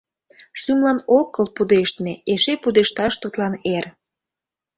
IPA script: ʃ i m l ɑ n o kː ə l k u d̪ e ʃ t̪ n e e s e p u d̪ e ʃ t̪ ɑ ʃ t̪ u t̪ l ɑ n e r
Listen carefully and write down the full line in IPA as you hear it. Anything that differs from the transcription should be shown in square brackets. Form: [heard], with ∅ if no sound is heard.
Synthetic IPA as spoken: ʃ [y] m l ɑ n o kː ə l [p] u d̪ e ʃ t̪ [m] e e [ʃ] e p u d̪ e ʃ t̪ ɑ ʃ t̪ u t̪ l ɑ n e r